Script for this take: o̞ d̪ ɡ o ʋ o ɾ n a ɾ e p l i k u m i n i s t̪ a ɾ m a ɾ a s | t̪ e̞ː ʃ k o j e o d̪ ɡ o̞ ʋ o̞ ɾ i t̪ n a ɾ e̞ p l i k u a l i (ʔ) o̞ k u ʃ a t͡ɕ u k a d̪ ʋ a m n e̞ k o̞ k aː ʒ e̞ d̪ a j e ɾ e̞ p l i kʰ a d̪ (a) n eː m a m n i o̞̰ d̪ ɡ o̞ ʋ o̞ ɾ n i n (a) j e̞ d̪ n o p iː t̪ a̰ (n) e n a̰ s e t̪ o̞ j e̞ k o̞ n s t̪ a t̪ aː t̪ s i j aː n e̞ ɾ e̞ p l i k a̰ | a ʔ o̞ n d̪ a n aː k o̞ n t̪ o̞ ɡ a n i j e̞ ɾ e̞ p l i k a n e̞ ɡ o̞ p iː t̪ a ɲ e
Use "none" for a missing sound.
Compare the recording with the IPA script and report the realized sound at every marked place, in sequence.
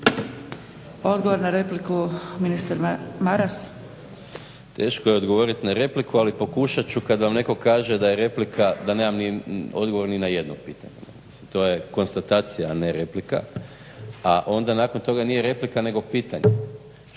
p, a, a, ɲ

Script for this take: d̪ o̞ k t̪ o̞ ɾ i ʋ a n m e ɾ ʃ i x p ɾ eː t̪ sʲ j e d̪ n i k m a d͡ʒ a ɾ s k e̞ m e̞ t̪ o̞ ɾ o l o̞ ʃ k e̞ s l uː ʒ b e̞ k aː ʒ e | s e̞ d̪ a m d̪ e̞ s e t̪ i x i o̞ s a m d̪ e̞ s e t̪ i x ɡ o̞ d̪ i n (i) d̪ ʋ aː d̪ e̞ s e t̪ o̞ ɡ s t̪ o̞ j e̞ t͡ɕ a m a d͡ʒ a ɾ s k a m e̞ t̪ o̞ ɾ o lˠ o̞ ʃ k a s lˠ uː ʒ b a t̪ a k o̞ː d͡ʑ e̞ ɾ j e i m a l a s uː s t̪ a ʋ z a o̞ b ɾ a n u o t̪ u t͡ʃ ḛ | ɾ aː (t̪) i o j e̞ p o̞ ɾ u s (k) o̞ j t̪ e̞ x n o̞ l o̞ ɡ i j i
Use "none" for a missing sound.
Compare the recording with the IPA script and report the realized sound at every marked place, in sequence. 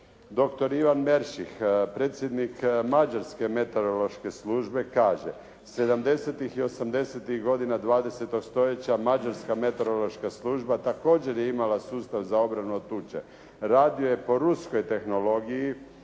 a, d̪, k

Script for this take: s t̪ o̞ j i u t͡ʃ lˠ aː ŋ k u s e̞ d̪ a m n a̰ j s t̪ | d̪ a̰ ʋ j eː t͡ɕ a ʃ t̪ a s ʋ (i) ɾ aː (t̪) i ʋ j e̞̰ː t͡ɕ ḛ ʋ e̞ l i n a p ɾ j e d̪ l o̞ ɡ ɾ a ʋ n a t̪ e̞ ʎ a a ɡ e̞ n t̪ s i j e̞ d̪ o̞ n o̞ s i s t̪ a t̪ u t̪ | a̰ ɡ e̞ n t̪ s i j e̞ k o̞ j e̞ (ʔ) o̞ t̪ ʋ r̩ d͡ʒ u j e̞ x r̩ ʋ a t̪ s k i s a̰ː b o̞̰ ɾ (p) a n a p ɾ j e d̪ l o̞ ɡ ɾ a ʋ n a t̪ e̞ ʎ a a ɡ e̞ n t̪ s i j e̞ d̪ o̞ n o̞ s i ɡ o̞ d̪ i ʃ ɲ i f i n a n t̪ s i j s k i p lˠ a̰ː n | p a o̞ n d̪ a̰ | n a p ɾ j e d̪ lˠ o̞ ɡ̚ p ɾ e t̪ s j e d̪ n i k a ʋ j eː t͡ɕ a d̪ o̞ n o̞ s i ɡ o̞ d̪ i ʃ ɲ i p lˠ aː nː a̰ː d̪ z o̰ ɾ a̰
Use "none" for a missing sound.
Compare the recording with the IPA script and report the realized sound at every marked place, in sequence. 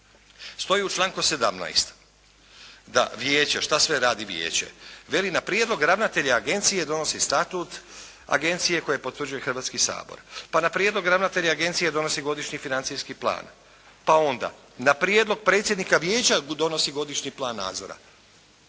e, d̪, p, p

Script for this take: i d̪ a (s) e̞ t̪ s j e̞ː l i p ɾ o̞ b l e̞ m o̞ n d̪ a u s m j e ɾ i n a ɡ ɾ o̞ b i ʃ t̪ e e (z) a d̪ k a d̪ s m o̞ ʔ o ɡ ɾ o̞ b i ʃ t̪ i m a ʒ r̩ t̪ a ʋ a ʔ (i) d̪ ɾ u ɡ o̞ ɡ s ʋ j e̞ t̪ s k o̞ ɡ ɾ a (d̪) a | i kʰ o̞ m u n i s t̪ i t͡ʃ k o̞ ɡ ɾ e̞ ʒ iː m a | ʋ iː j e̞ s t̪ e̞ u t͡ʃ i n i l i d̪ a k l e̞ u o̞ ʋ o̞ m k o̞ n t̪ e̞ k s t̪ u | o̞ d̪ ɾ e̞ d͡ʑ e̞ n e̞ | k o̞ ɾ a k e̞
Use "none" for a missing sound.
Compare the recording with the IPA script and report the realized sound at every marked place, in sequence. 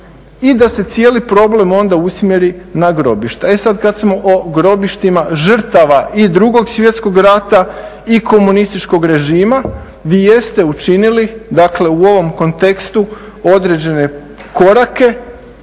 s, s, i, t̪

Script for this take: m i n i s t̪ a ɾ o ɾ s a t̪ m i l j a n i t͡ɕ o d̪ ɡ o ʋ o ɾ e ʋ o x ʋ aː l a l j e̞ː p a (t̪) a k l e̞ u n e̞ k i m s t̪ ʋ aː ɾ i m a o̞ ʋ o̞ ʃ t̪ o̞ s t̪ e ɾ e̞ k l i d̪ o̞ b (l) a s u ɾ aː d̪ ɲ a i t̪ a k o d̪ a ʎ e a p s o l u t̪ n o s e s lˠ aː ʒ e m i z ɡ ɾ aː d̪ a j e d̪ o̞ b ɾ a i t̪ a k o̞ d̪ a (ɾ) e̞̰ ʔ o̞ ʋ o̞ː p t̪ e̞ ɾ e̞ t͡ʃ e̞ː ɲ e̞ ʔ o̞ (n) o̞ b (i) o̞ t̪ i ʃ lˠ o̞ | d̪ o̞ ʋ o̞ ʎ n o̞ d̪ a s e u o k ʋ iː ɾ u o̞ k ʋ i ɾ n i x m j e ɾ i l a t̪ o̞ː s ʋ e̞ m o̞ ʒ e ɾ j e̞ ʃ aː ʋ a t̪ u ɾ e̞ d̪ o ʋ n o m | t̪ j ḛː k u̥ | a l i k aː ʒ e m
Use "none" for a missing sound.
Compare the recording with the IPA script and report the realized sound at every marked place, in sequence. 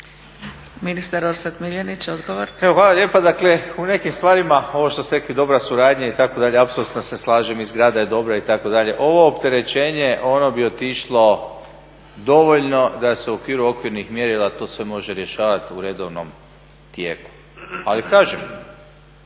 d̪, ɾ, ʎ, n, i

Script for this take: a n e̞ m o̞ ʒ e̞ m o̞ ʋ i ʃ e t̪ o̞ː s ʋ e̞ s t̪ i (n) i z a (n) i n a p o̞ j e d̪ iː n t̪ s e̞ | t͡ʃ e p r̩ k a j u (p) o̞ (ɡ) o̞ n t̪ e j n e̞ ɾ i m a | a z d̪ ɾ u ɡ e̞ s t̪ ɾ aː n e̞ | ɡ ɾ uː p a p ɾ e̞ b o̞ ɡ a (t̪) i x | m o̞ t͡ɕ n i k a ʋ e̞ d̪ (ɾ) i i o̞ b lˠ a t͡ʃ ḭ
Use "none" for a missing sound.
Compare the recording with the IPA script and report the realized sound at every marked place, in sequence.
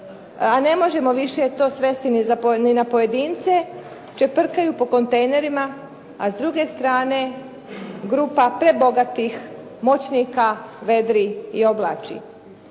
n, n, p, k, t̪, ɾ

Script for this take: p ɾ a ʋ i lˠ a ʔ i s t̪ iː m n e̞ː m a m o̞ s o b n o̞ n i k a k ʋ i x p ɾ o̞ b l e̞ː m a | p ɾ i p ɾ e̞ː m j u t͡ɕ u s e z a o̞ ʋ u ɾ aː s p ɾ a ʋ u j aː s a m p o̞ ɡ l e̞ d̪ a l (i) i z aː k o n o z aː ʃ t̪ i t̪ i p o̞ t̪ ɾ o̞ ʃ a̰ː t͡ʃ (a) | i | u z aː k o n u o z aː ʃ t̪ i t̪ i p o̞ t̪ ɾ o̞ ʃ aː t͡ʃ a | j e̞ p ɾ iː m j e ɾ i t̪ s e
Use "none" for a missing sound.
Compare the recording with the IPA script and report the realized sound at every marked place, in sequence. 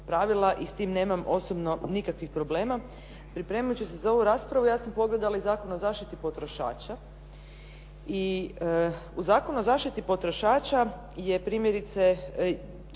a, a

